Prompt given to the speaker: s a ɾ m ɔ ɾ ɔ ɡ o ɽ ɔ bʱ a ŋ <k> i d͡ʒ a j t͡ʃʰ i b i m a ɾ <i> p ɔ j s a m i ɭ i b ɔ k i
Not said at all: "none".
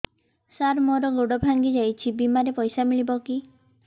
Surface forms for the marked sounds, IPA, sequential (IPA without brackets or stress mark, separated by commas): ɡ, e